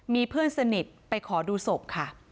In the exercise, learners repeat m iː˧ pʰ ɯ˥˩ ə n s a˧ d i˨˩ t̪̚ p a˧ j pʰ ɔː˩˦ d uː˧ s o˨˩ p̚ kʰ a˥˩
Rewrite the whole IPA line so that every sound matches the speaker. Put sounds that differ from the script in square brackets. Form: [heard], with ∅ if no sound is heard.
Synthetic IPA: m iː˧ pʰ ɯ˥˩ ə n s a˧ [n] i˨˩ t̪̚ p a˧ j [kʰ] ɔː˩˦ d uː˧ s o˨˩ p̚ kʰ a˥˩